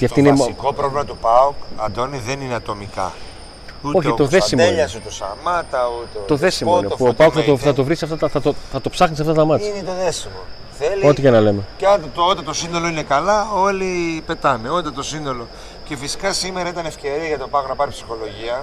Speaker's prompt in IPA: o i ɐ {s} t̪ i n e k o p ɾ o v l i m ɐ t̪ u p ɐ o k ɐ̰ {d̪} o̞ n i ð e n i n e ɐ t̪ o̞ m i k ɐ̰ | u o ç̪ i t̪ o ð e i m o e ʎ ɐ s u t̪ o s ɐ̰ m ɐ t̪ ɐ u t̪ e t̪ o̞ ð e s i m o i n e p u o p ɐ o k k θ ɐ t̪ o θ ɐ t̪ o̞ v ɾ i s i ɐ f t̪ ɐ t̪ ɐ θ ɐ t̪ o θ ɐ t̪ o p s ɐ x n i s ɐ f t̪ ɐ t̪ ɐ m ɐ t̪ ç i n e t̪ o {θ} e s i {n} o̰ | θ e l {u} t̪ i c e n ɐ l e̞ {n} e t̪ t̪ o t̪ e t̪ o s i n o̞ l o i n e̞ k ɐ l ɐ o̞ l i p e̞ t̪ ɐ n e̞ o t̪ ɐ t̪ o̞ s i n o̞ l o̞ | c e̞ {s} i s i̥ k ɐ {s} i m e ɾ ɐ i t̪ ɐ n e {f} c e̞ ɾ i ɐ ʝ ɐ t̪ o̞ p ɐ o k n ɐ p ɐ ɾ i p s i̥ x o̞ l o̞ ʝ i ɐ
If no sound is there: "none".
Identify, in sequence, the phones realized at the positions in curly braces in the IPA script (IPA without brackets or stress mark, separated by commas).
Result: f, d̪, ð, m, o, m, f, s, f